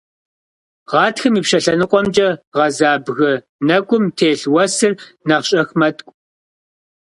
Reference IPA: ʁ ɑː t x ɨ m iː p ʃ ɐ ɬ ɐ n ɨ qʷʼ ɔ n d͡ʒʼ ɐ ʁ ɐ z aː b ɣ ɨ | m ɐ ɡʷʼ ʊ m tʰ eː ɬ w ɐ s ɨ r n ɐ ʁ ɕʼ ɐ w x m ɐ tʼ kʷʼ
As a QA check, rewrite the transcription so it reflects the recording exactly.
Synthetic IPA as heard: ʁ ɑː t x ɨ m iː p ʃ ɐ ɬ ɐ n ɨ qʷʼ ɔ m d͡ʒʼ ɐ ʁ ɐ z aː b ɣ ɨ | n ɐ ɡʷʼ ʊ m tʰ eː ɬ w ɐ s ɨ r n ɐ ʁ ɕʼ ɐ x m ɐ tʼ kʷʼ